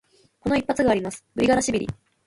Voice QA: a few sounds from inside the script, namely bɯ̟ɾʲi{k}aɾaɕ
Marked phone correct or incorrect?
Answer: incorrect